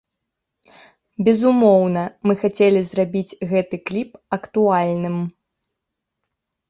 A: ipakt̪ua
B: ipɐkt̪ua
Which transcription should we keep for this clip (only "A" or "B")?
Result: B